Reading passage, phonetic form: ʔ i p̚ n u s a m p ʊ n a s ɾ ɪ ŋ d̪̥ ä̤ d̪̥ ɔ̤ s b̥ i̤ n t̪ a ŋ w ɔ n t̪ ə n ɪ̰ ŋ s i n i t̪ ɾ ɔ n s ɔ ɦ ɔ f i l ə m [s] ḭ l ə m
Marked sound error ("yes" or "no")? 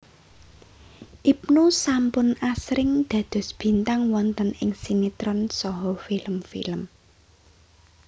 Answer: yes